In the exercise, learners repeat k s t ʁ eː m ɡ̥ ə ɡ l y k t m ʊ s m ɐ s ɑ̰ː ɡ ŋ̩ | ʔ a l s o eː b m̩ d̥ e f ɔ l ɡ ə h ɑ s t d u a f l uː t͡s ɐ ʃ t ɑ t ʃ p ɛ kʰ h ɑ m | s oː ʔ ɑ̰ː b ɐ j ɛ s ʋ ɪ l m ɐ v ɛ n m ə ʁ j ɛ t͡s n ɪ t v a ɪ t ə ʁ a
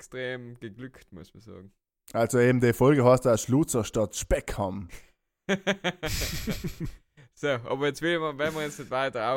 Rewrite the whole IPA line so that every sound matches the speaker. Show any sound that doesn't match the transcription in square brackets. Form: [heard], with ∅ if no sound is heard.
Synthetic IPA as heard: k s t ʁ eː m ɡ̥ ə ɡ l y k t m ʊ s m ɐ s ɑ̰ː ɡ ŋ̩ | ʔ a l s o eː b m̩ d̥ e f ɔ l ɡ ə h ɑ s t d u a [ʃ] l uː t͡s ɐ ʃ t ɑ t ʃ p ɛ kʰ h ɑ m | s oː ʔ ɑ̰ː b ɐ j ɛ [t͡s] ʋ ɪ l m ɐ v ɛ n m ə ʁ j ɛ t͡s n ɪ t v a ɪ t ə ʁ a